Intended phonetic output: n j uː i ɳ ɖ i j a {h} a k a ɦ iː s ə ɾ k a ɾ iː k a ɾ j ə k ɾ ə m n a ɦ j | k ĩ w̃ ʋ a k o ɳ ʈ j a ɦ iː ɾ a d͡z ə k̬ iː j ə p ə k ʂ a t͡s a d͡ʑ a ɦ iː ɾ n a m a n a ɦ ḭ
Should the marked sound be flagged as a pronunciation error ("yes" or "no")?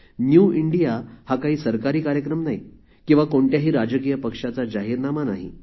no